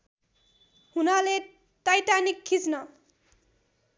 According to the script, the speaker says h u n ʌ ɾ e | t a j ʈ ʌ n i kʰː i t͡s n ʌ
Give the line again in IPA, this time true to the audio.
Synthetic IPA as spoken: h u n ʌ l e | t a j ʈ a n i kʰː i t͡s n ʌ